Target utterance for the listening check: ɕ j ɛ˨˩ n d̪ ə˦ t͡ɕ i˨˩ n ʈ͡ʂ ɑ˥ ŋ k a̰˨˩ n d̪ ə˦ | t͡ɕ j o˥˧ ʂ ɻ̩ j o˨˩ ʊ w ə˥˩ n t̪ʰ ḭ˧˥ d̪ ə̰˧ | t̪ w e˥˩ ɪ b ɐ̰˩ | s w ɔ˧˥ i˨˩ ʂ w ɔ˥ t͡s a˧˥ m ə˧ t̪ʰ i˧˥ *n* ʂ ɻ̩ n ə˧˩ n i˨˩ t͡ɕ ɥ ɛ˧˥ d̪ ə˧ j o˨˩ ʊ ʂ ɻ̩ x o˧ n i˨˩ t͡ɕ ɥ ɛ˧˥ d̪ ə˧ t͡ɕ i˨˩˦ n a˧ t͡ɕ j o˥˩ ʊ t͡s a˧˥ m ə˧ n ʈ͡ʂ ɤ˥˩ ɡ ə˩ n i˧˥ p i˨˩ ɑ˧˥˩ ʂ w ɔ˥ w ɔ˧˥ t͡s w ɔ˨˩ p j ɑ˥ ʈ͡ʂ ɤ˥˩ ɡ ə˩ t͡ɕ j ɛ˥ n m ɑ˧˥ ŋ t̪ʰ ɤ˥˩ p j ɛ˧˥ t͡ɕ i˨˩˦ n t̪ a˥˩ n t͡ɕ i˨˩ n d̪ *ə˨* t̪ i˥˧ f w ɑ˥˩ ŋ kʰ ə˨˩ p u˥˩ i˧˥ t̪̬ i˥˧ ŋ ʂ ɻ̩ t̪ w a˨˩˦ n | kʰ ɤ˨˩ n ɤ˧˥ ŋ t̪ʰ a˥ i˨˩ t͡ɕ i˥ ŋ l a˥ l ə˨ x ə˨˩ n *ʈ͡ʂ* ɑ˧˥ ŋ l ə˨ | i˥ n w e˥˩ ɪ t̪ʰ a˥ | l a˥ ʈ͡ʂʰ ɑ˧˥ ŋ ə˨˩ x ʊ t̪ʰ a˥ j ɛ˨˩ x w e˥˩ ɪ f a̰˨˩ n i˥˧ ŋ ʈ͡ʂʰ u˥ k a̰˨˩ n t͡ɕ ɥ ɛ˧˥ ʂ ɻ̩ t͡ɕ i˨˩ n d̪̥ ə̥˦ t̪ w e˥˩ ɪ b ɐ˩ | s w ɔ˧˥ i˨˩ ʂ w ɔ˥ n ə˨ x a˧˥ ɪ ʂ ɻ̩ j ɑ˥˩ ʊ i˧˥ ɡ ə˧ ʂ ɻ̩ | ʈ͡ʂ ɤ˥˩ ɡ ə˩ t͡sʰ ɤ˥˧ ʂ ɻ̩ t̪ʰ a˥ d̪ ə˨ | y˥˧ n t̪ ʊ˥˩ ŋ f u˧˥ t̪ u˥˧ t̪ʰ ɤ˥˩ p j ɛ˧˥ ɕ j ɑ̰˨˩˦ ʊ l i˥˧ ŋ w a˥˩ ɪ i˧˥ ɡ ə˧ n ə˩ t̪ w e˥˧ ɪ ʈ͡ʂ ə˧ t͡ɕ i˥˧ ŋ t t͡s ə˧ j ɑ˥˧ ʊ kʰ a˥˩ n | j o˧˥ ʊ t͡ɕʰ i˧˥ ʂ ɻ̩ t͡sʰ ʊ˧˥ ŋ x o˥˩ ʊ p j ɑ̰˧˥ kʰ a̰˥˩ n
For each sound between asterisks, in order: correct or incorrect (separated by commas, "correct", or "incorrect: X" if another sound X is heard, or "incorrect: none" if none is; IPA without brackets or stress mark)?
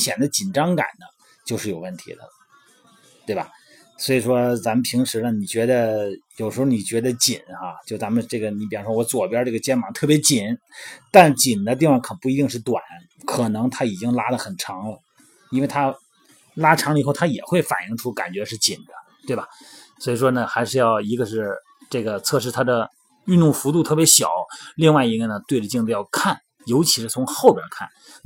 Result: incorrect: ŋ, incorrect: ə˦, incorrect: ʈ͡ʂʰ